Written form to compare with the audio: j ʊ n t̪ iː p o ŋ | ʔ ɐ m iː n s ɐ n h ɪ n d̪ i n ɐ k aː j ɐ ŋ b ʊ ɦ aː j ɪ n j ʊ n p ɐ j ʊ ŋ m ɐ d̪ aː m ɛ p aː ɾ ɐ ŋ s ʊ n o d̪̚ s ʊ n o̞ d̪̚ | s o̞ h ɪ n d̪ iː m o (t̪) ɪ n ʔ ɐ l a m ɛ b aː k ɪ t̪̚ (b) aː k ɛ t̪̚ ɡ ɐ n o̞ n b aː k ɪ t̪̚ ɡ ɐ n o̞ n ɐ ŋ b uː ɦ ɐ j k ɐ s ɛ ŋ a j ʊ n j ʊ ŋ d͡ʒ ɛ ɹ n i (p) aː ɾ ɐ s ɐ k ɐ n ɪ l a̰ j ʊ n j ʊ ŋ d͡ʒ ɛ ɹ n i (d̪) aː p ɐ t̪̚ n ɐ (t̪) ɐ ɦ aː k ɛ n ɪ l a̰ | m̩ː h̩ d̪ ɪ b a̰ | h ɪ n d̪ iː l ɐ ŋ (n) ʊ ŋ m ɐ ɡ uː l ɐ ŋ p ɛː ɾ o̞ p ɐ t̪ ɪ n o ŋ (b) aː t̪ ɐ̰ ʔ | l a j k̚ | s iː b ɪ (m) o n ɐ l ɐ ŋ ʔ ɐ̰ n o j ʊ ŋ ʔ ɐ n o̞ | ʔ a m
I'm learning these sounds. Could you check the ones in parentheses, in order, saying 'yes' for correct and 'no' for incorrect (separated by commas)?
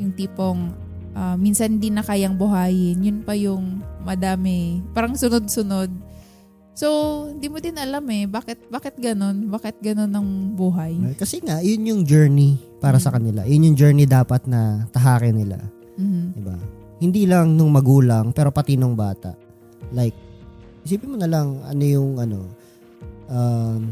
no, yes, yes, yes, yes, yes, yes, yes